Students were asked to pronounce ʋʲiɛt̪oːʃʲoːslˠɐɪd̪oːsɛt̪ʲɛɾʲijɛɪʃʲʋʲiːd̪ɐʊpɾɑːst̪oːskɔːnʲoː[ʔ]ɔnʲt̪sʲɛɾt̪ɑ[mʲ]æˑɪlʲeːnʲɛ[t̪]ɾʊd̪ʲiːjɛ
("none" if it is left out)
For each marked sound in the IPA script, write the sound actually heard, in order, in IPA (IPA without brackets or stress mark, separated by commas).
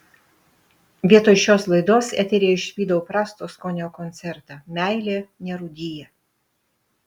k, mʲ, none